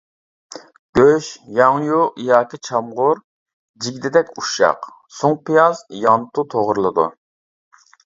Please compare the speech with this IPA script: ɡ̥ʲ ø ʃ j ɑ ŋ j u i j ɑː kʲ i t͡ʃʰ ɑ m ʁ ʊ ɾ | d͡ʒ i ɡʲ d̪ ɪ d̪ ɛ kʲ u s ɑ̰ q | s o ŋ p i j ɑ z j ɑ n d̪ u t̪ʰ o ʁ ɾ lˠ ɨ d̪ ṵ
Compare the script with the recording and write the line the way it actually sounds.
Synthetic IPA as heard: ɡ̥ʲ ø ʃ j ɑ ŋ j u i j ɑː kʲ i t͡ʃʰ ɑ m ʁ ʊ ɾ | d͡ʒ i ɡʲ d̪ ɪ d̪ ɛ kʲ u ʃ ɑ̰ q | s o ŋ p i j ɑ z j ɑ n t̪ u t̪ʰ o ʁ ɾ lˠ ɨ d̪ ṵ